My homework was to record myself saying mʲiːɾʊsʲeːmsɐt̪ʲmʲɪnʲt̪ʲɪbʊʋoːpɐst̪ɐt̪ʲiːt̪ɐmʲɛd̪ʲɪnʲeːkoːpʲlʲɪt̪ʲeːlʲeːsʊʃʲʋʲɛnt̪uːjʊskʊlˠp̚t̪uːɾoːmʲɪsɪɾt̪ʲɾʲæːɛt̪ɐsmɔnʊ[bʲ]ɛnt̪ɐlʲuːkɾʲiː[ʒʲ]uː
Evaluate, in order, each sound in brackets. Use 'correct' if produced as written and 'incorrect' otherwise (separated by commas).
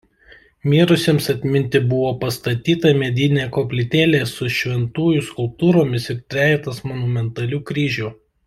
incorrect, correct